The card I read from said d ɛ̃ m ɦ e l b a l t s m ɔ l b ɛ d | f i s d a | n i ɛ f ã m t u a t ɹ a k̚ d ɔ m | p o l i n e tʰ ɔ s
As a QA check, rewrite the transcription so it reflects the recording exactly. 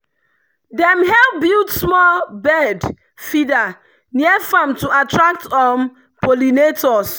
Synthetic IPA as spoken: d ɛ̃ m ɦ ɛ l b i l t s m ɔ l b ɛ d | f i d a | n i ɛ f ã m t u a t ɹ a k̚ t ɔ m | p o l i n e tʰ ɔ s